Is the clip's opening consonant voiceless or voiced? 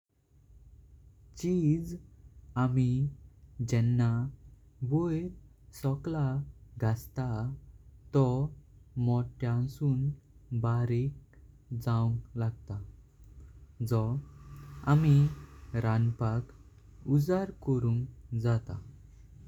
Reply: voiceless